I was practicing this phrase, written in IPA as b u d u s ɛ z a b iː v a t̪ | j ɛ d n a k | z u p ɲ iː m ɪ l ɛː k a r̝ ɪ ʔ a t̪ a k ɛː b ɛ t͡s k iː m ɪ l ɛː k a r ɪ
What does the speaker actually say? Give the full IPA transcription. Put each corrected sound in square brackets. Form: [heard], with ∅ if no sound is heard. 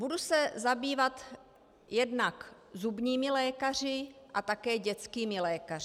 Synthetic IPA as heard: b u d u s ɛ z a b iː v a t̪ | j ɛ d n a k | z u [b] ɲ iː m ɪ l ɛː k a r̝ ɪ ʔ a t̪ a k ɛː [ɟ] ɛ t͡s k iː m ɪ l ɛː k a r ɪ